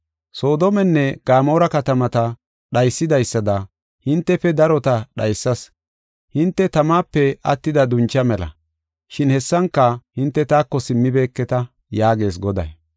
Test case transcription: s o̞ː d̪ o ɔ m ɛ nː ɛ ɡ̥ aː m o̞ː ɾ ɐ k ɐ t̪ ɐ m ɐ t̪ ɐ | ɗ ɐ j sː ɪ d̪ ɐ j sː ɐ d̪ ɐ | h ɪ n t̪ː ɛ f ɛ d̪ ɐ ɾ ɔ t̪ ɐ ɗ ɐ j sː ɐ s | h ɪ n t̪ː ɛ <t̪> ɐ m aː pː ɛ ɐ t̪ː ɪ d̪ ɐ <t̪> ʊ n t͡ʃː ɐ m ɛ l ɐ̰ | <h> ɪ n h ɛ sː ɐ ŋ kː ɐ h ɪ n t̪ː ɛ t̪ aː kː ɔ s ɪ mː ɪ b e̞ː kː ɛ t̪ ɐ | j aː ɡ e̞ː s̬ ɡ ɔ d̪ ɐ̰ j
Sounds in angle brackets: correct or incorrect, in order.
correct, incorrect, incorrect

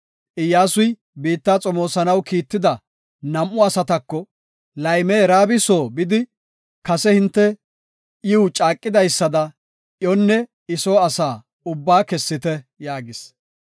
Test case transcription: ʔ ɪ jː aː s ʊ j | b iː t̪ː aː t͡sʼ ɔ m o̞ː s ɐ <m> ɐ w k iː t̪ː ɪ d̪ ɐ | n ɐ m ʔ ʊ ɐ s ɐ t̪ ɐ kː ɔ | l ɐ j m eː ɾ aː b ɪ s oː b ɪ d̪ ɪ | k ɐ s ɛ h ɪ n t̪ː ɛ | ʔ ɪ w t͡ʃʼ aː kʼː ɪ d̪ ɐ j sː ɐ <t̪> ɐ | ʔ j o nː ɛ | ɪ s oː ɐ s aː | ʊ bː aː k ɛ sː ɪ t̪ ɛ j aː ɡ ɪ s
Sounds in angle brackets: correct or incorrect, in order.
incorrect, incorrect

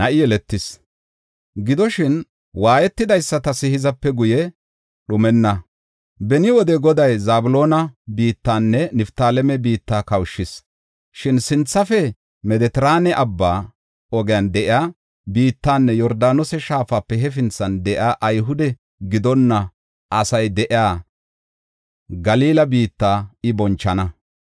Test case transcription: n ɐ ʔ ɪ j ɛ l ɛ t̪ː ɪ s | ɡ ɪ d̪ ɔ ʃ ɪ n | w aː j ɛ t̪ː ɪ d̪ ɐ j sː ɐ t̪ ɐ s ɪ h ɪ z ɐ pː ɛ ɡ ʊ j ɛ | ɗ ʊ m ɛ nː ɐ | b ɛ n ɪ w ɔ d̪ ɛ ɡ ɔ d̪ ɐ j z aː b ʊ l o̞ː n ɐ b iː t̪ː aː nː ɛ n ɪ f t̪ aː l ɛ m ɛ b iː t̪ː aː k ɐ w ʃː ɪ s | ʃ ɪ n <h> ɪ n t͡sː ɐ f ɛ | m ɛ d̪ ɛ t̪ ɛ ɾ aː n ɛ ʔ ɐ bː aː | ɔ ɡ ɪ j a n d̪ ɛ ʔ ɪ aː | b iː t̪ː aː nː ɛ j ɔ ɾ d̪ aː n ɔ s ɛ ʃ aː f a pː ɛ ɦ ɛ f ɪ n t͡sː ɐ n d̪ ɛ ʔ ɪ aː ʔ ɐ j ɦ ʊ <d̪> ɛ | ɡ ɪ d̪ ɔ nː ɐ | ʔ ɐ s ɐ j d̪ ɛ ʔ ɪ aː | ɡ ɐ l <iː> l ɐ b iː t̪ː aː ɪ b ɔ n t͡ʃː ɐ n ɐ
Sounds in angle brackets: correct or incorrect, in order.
incorrect, correct, correct

